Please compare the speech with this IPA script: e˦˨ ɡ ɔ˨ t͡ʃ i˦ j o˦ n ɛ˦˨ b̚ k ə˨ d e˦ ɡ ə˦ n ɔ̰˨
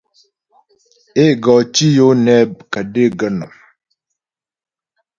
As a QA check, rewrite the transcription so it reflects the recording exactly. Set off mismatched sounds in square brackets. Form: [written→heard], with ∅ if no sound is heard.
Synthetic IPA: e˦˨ ɡ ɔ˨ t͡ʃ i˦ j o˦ n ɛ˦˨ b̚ k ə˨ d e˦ ɡ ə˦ n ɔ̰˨

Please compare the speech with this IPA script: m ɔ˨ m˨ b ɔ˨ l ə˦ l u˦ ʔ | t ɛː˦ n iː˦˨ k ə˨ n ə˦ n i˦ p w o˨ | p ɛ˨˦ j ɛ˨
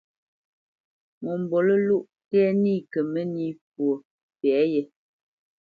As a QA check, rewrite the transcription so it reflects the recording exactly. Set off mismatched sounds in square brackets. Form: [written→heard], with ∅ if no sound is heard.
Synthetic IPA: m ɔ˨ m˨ b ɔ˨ l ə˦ l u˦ ʔ | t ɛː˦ n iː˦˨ k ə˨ [n→m] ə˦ n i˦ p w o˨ | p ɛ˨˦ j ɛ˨

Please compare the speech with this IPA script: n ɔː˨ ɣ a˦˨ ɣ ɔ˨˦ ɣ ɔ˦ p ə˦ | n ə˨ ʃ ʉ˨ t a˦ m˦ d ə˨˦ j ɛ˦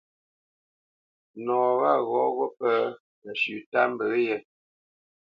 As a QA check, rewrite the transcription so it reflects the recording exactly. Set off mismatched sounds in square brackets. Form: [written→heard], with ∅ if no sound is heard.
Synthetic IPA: n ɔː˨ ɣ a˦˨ ɣ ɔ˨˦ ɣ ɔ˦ p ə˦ | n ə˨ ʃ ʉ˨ t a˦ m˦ [d→b] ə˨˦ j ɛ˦

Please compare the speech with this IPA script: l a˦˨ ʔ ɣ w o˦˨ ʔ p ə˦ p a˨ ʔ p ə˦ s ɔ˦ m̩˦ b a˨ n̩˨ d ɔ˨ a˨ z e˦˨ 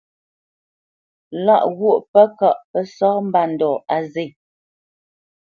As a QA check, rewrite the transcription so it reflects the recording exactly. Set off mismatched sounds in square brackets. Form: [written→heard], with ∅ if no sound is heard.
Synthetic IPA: l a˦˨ ʔ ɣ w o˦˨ ʔ p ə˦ [p→k] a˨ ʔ p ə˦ s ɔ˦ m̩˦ b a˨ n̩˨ d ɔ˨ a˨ z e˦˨

